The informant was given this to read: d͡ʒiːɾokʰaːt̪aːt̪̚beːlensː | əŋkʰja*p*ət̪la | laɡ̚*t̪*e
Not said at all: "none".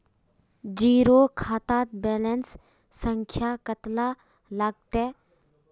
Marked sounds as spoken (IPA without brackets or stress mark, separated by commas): k, t̪